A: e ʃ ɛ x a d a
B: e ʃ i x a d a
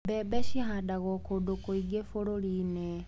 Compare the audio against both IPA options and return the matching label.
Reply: B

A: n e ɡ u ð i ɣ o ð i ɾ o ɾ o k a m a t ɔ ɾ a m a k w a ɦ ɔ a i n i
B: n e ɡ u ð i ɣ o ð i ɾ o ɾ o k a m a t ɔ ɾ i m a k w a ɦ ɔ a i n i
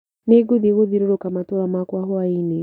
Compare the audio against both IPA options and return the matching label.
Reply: A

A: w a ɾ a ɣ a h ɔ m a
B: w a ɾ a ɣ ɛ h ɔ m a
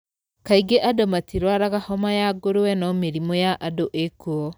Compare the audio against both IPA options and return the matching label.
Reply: A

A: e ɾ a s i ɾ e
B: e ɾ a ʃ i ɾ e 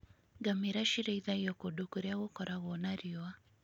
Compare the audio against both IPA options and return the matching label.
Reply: B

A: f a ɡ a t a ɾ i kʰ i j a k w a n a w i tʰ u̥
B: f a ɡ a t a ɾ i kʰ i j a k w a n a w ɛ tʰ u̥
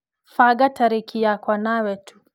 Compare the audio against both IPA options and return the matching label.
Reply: B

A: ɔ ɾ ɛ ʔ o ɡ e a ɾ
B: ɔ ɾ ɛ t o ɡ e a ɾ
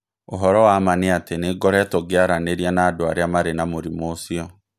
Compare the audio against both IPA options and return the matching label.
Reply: B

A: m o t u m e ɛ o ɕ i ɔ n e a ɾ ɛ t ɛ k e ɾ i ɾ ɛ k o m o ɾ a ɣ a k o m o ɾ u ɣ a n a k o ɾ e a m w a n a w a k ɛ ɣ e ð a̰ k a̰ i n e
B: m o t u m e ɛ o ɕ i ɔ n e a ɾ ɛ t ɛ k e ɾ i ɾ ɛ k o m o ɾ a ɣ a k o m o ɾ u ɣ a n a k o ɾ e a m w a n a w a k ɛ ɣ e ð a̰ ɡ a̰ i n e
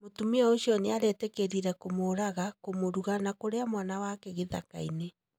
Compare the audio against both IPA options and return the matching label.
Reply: A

